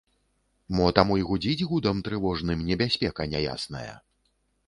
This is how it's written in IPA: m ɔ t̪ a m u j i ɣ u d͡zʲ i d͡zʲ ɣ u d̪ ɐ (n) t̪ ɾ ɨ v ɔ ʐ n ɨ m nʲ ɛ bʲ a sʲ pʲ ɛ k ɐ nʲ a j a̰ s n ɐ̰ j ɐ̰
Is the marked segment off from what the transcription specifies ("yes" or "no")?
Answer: yes